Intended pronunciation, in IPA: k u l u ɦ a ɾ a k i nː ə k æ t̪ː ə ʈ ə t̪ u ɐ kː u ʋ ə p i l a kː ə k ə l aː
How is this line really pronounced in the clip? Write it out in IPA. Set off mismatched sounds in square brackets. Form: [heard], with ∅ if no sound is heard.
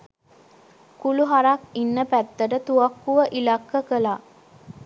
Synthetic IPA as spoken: k u l u ɦ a ɾ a k i nː ə [p] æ t̪ː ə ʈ ə t̪ u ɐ kː u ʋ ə [ʔ] i l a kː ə k ə l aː